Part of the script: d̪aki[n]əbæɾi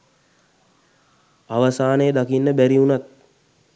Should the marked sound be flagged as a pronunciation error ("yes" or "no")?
yes